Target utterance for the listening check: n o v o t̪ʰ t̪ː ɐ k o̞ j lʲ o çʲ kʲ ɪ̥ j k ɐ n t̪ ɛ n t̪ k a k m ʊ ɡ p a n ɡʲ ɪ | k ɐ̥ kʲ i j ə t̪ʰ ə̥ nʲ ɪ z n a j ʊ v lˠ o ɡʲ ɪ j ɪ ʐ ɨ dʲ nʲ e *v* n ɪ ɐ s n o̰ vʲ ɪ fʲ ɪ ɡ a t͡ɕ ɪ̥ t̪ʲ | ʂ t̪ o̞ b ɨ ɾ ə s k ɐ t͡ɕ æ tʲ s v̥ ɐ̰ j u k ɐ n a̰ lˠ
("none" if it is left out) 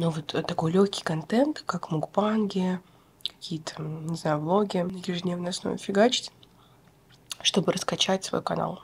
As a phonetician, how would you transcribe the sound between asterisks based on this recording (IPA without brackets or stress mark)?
v